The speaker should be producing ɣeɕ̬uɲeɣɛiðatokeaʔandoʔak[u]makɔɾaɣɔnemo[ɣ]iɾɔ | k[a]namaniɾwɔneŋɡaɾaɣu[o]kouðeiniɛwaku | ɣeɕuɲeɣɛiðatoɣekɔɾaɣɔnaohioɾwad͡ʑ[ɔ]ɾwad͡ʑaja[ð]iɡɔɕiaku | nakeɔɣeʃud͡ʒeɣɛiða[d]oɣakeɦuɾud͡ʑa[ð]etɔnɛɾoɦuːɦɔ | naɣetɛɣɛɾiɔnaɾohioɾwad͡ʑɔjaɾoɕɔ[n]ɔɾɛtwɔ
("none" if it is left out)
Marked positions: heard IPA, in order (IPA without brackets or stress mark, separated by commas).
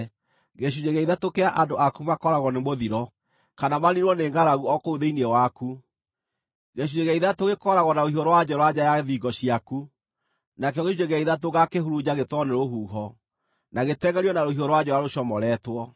u, ð, a, ɔ, ɔ, ð, t, ɣ, m